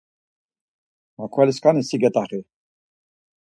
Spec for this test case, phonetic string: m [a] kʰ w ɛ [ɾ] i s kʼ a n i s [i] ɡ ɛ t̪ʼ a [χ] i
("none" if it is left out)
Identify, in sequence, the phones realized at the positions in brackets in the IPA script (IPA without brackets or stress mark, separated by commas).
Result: a, l, i, χ